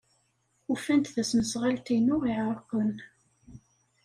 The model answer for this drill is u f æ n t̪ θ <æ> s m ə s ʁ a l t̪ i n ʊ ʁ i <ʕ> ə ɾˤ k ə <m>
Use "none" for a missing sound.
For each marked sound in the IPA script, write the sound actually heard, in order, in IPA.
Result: æ, ʕ, n

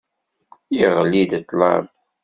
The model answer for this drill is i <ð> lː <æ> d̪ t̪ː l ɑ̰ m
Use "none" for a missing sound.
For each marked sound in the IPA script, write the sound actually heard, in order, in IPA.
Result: ʁ, i

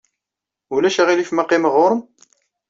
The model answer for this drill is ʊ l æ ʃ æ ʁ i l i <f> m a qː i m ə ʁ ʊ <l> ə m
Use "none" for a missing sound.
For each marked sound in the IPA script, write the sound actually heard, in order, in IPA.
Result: f, ɾ

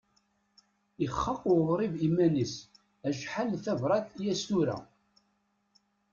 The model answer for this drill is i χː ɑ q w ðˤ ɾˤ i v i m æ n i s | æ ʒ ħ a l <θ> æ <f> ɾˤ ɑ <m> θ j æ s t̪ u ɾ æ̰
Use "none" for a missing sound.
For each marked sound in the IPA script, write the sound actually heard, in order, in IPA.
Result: θ, v, none

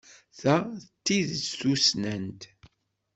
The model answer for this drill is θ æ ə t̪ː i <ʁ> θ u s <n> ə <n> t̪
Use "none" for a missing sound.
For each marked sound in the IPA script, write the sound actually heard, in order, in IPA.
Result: ð, n, n

